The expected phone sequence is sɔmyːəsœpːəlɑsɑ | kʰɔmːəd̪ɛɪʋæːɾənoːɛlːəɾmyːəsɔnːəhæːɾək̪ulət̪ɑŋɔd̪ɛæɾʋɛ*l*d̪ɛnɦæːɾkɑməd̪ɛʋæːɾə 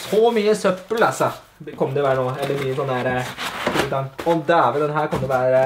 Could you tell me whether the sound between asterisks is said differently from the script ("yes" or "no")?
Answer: no